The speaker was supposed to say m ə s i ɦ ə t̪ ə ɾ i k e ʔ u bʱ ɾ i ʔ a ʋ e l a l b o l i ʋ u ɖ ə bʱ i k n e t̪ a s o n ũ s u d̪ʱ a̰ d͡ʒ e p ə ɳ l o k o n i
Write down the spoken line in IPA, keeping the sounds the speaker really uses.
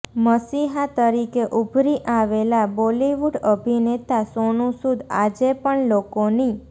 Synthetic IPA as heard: m ə s i ɦ a t̪ ə ɾ i k e ʔ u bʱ ɾ i ʔ a ʋ e l a b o l i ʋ u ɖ ə bʱ i n e t̪ a s o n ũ s u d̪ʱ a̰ d͡ʒ e p ə ɳ l o k o n i